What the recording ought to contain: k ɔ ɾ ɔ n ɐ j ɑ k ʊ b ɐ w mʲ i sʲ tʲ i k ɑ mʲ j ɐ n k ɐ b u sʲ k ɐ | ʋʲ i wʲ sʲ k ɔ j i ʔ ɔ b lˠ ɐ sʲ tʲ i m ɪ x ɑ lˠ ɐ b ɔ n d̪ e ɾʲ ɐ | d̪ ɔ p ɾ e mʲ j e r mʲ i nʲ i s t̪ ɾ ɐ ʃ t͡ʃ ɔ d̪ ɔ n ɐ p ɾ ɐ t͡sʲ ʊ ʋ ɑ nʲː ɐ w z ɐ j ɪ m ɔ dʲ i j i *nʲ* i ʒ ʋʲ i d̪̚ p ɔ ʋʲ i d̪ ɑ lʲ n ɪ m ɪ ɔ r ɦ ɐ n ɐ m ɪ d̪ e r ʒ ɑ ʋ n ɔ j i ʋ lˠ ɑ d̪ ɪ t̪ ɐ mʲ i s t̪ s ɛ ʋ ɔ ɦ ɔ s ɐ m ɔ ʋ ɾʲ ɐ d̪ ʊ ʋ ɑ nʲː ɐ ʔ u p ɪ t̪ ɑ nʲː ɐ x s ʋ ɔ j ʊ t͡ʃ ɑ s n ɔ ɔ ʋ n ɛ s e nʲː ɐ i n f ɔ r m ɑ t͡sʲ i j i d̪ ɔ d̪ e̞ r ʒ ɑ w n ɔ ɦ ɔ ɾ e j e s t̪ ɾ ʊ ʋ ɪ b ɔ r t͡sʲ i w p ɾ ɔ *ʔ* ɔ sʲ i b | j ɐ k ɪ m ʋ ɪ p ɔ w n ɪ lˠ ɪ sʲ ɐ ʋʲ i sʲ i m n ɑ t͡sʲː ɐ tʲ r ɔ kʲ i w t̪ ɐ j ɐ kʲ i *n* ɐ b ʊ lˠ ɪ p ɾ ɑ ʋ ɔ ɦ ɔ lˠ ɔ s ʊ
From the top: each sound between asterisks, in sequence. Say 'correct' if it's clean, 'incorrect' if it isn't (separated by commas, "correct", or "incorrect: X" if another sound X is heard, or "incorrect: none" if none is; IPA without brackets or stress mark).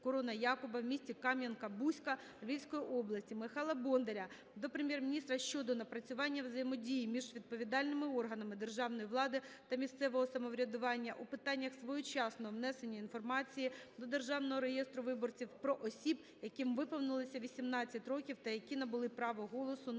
incorrect: mʲ, correct, correct